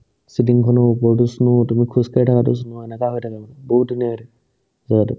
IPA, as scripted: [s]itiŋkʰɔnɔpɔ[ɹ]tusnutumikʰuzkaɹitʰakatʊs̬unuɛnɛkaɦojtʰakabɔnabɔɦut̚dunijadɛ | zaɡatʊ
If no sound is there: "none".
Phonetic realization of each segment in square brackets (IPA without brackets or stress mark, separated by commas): s, ɹ